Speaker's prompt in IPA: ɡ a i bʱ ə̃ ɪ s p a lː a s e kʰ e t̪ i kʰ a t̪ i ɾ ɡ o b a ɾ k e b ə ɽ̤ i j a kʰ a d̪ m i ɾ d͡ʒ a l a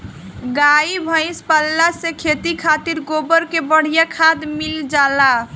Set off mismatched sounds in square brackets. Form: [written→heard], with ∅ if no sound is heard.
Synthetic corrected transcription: ɡ a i bʱ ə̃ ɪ s p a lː a s e kʰ e t̪ i kʰ a t̪ i ɾ ɡ o b [a→ə] ɾ k e b ə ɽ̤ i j a kʰ a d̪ m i [ɾ→l] d͡ʒ a l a